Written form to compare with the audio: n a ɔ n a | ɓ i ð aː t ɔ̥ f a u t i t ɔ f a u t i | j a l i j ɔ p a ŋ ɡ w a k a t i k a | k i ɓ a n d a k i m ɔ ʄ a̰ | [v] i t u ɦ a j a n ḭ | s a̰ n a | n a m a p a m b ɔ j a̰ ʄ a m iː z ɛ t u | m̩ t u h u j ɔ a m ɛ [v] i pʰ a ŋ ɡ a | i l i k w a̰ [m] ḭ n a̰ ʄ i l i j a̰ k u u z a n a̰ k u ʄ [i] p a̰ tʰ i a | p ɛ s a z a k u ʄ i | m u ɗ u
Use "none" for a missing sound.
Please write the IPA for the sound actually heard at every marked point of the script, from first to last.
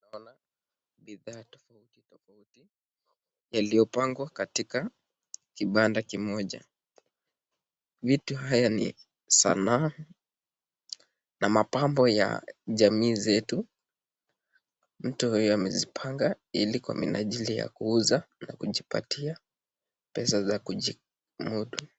v, z, m, i

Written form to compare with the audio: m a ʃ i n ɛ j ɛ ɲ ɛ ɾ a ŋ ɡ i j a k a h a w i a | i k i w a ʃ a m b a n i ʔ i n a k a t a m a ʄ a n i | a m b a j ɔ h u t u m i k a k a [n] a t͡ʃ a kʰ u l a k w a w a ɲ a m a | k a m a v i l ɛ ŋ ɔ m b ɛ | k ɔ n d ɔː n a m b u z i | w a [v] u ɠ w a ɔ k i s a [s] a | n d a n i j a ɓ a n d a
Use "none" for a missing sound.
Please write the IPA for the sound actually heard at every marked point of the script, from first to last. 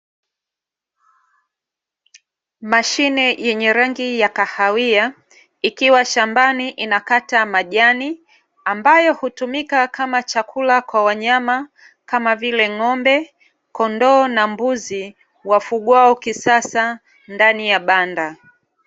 m, f, s

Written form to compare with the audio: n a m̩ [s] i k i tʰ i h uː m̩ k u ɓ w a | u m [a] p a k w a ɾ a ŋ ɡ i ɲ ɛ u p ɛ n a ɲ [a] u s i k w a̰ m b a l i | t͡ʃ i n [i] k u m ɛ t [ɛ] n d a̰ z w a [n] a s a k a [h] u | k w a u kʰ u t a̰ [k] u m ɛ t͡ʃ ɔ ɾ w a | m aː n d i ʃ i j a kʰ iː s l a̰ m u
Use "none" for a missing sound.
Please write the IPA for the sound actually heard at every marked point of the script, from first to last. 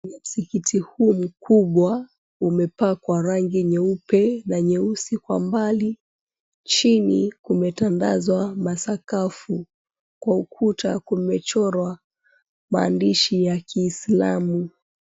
s, ɛ, ɛ, i, a, m, f, k

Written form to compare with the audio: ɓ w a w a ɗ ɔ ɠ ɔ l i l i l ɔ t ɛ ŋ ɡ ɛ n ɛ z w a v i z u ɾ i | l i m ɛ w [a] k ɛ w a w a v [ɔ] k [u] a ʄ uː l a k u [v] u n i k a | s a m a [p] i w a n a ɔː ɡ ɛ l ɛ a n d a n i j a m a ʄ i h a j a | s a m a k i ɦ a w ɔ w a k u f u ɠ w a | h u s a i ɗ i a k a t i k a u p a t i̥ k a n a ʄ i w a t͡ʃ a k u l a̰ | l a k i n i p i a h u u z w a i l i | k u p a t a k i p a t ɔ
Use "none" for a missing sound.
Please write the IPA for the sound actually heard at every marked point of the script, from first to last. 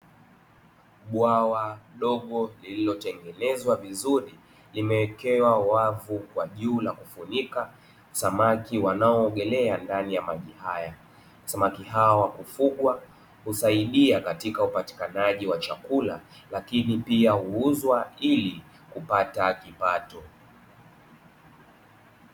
ɛ, u, w, f, k

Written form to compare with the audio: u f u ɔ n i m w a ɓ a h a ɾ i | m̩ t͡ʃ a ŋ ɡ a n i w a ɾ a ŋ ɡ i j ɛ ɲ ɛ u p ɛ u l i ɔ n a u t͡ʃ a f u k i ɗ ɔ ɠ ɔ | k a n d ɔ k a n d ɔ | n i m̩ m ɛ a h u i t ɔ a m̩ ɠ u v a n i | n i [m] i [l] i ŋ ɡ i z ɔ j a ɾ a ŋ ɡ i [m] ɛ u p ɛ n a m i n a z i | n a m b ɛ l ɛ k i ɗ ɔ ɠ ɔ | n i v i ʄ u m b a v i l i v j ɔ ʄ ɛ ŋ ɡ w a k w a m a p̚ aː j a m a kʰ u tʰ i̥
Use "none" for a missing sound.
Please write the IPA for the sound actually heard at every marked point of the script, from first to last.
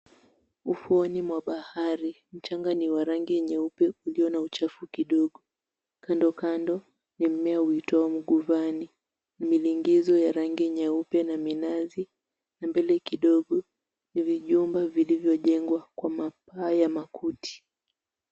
m, l, ɲ

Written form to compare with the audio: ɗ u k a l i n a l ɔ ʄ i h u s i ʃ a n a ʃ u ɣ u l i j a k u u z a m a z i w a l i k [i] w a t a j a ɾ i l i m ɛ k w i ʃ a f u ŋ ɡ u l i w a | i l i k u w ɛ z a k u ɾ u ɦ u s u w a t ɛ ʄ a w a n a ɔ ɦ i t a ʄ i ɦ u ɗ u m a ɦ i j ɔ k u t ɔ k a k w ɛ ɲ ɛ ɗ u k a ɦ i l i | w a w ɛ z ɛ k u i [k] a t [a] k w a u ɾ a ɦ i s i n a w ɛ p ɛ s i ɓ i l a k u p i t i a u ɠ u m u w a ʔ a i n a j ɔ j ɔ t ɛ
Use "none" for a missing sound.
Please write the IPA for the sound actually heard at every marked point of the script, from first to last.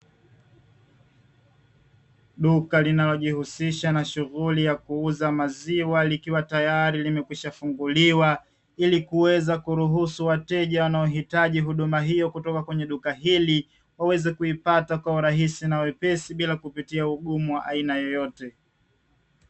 i, p, a

